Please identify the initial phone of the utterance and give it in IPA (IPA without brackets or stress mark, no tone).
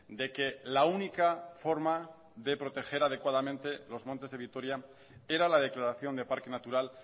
d̪